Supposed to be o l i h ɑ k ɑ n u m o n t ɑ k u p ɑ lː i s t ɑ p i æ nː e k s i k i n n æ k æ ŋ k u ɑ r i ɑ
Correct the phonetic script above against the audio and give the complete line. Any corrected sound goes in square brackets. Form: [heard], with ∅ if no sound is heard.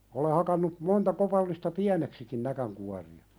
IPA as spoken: o l [e] h ɑ k ɑ [nː] u m o n t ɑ k [o] p ɑ lː i s t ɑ p i æ [n] e k s i k i n n æ k æ ŋ k u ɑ r i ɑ